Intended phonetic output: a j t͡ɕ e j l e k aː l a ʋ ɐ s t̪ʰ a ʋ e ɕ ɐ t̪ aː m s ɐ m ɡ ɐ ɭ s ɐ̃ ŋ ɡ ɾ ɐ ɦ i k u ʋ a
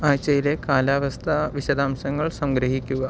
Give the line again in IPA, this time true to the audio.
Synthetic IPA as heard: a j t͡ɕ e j l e k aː l a ʋ ɐ s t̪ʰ a ʋ i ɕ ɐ d̪ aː m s ɐ ŋ ɡ ɐ ɭ s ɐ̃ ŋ ɡ ɾ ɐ ɦ i k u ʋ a